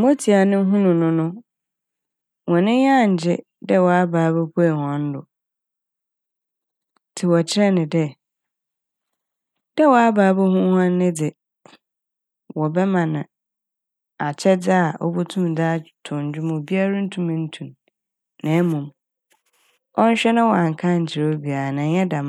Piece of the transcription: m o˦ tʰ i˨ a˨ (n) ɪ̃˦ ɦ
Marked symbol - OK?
yes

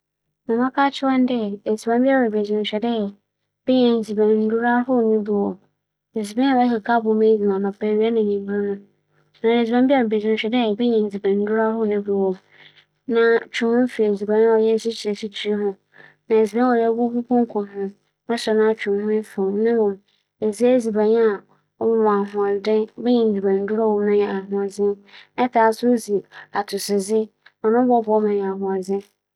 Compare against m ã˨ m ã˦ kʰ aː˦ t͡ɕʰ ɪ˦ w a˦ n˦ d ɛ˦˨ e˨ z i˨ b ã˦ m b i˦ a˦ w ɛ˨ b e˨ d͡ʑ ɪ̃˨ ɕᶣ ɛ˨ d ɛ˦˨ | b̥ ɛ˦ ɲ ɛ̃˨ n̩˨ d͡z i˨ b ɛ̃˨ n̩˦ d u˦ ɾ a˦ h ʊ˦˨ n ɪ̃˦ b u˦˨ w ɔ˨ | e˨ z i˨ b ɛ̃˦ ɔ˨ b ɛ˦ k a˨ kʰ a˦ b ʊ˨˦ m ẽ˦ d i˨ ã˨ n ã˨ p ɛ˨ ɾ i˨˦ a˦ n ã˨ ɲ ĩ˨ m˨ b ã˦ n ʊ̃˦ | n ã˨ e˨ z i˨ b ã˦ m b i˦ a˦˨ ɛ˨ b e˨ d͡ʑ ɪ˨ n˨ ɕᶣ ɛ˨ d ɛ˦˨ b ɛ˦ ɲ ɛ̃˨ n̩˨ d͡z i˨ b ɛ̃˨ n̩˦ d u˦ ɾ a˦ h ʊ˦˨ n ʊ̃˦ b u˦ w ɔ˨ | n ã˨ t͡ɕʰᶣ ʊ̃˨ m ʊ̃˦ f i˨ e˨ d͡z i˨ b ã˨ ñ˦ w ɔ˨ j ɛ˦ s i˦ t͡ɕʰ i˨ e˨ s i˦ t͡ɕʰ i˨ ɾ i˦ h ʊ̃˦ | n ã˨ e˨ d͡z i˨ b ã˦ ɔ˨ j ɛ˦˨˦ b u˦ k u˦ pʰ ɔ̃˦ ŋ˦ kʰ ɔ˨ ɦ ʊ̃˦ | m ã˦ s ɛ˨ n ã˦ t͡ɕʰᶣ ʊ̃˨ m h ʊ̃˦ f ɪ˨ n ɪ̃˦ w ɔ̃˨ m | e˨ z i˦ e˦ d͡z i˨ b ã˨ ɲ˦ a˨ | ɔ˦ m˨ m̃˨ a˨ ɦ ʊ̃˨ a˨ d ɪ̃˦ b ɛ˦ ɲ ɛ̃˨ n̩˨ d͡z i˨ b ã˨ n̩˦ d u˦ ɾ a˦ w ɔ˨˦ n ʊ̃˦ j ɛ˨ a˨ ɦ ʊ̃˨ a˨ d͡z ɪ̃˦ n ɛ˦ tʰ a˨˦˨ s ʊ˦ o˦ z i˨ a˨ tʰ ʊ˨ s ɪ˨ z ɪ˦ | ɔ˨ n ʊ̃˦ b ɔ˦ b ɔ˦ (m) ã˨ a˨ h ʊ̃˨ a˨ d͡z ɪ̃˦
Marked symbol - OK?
yes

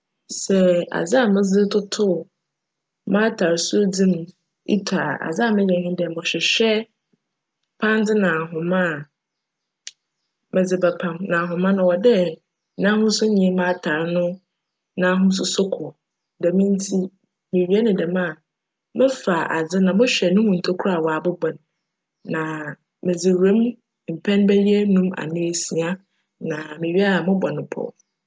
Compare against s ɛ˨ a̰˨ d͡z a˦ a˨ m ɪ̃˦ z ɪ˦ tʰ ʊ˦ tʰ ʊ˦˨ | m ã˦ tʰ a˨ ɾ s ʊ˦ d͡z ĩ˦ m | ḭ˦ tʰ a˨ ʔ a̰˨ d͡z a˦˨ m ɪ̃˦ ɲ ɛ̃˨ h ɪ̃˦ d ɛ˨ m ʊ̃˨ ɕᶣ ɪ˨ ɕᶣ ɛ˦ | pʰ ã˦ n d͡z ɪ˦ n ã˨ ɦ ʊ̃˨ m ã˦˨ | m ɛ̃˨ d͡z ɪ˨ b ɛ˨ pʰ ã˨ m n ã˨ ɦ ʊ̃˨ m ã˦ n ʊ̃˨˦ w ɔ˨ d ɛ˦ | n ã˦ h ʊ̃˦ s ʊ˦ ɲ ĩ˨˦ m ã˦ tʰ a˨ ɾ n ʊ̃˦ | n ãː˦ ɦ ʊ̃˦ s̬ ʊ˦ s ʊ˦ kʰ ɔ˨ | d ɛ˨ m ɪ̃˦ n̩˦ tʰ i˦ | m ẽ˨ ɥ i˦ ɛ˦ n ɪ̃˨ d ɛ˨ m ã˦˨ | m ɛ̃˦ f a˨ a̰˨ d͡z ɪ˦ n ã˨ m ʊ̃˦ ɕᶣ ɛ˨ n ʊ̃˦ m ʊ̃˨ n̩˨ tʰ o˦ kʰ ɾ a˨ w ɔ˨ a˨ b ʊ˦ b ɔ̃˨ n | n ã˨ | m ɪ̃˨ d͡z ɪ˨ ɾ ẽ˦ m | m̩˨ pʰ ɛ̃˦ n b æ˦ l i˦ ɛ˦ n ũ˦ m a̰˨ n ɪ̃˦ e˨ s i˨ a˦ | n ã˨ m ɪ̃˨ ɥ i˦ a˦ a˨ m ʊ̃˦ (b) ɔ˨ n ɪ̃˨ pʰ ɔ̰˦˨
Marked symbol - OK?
yes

